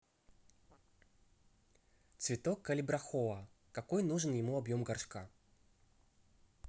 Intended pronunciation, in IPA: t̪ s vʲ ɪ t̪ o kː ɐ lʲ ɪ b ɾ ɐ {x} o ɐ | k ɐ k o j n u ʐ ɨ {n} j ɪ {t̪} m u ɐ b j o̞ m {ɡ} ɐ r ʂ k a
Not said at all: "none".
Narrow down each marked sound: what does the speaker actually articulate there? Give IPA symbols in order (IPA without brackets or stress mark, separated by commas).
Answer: x, n, none, ɡ